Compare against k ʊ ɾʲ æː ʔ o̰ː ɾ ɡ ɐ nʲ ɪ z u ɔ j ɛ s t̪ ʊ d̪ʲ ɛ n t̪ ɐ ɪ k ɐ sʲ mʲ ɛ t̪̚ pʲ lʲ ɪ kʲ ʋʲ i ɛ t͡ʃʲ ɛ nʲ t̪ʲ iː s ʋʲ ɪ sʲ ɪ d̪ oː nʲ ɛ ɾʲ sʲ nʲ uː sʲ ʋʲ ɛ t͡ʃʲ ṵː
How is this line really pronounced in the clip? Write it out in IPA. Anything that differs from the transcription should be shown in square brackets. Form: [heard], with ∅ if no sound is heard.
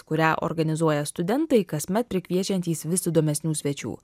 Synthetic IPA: k ʊ ɾʲ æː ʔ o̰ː ɾ ɡ ɐ nʲ ɪ z u ɔ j ɛ s t̪ ʊ d̪ʲ ɛ n t̪ ɐ ɪ k ɐ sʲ mʲ ɛ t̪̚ pʲ [ɾʲ] ɪ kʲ ʋʲ i ɛ t͡ʃʲ ɛ nʲ t̪ʲ iː s ʋʲ ɪ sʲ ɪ d̪ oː [mʲ] ɛ [∅] sʲ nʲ uː sʲ ʋʲ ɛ t͡ʃʲ ṵː